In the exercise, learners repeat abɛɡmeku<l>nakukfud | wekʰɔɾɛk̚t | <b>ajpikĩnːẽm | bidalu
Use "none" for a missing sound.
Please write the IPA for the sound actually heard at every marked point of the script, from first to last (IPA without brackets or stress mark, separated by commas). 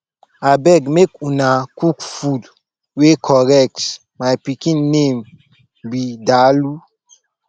none, m